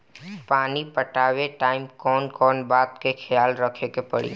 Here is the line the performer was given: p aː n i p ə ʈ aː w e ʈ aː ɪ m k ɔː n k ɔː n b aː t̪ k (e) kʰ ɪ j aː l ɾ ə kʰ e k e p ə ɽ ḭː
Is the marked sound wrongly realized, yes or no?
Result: no